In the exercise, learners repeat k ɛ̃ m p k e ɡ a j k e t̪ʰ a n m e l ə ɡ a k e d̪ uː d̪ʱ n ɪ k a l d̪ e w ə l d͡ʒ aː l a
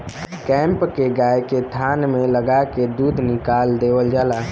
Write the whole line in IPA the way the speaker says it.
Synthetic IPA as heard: k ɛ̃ m p k e ɡ a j k e t̪ʰ a n m e l ə ɡ a k e d̪ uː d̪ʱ n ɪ k a l d̪ e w ə l d͡ʒ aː l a